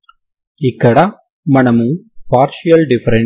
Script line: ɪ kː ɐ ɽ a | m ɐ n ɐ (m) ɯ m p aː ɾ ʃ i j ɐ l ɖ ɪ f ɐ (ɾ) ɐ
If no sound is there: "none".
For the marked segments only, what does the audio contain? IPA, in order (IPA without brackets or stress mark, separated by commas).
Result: m, ɾ